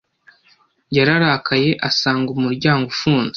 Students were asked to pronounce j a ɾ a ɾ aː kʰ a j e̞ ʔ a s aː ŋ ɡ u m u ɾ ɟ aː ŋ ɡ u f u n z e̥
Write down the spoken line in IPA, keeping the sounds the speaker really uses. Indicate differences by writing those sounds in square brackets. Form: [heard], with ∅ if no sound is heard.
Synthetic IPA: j a ɾ a ɾ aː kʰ a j e̞ ʔ a s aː ŋ ɡ u m u ɾ ɟ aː ŋ ɡ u f [uː] n z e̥